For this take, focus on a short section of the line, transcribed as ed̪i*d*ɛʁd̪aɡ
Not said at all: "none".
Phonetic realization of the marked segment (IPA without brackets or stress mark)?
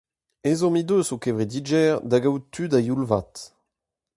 d͡ʒ